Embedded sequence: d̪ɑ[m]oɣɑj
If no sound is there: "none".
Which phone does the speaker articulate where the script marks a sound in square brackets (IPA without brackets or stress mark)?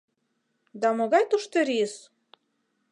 m